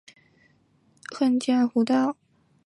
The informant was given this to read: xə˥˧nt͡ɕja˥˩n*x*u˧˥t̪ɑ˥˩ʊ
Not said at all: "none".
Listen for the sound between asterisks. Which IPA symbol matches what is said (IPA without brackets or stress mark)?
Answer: x